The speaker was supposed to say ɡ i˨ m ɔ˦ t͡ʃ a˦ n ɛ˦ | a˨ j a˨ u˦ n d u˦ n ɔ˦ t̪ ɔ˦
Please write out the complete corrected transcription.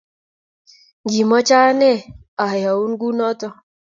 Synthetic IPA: ɡ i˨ m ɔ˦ t͡ʃ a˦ n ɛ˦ | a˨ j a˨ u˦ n ɡ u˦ n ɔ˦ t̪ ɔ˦